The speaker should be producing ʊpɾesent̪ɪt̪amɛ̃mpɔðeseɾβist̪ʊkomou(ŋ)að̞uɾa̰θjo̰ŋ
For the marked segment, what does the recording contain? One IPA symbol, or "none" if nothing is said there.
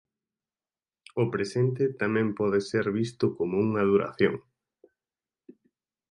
ŋ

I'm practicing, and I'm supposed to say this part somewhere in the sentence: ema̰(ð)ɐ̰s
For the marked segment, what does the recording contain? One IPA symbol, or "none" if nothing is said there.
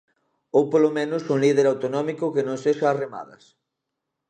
ð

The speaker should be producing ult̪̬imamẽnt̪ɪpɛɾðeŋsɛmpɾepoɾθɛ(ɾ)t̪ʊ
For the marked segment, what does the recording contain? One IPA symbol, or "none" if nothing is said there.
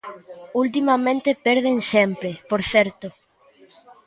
ɾ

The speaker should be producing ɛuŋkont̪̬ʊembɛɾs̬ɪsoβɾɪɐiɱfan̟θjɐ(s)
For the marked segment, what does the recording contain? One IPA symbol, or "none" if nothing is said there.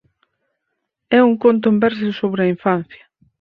none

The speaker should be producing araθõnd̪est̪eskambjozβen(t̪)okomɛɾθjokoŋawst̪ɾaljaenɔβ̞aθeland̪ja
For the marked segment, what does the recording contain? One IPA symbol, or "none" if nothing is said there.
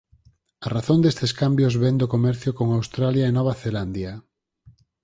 d̪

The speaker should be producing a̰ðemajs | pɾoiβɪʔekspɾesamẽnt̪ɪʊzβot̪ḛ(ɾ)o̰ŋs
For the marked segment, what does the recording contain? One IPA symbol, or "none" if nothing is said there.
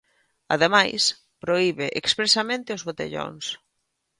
ʎ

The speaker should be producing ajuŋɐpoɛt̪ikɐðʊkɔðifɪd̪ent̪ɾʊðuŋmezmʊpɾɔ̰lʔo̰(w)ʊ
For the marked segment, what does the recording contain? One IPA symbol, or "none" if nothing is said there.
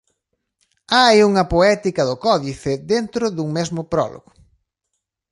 ɣ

